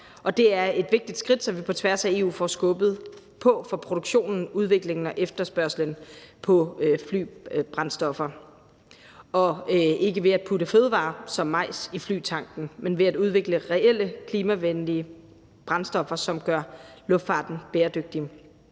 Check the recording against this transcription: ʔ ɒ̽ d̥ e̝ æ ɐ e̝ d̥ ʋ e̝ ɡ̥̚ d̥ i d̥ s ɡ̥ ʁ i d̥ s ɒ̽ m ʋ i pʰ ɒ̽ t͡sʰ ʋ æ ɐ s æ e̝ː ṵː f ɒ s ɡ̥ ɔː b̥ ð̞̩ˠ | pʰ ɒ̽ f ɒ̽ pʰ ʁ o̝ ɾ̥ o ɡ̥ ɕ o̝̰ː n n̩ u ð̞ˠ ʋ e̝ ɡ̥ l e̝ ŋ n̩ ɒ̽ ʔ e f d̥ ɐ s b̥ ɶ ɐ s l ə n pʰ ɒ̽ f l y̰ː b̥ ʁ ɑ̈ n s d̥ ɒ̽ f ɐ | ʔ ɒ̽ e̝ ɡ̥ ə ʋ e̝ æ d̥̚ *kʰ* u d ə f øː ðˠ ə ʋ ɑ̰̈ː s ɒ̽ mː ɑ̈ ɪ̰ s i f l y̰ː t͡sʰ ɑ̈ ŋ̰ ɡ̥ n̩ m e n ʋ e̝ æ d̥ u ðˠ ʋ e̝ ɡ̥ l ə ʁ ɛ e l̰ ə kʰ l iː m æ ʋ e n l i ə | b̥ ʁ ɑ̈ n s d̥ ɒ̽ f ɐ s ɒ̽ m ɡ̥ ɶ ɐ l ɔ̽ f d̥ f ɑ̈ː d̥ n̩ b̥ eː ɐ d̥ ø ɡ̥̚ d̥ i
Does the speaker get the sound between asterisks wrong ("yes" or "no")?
yes